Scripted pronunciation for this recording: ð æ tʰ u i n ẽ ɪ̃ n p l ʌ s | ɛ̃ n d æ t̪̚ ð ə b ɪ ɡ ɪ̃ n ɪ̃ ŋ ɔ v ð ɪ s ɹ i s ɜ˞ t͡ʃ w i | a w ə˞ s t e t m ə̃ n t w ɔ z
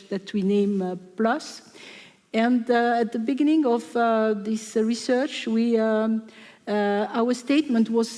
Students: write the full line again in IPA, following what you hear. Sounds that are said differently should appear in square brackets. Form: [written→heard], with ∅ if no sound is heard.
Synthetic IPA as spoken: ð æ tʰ [u→w] i n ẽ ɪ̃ [n→m] p l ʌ s | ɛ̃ n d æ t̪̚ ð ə b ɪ ɡ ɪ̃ n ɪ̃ ŋ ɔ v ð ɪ s ɹ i s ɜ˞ t͡ʃ w i | a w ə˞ s t e t m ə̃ n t w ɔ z